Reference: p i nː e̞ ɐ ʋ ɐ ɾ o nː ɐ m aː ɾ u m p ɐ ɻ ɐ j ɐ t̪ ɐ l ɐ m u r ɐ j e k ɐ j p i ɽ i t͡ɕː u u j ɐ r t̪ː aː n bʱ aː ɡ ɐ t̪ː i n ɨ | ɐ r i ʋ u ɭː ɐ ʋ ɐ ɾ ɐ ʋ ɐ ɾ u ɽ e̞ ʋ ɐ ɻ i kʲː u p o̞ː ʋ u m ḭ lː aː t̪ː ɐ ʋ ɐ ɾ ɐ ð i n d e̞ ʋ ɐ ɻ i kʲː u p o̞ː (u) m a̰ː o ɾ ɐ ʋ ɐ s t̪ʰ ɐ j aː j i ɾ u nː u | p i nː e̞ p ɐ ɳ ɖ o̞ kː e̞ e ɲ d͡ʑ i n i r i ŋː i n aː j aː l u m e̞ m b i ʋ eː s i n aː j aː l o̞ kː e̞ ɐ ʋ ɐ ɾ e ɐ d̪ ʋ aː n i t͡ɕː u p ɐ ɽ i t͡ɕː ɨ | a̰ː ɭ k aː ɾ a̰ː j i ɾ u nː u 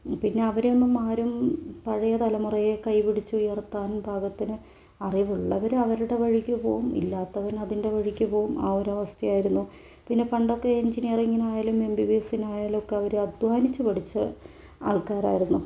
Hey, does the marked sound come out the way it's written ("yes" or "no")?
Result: yes